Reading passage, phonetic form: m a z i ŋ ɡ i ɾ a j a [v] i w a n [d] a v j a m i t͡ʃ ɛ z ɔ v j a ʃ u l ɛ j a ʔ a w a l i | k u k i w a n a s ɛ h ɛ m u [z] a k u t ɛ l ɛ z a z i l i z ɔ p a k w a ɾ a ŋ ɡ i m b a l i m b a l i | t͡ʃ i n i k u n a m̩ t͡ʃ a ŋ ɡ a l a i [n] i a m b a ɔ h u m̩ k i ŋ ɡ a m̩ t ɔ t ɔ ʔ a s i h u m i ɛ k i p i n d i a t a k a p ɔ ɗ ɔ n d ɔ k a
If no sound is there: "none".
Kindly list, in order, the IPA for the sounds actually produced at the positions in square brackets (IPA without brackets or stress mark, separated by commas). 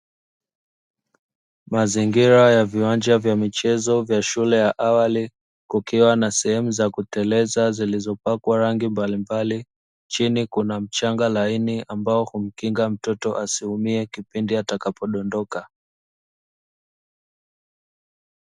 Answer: v, d͡ʒ, z, n